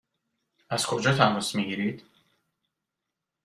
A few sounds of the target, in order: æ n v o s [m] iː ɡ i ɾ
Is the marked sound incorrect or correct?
correct